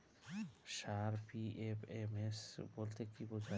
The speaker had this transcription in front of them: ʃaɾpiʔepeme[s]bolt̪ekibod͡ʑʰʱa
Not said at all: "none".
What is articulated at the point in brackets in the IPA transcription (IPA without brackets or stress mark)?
s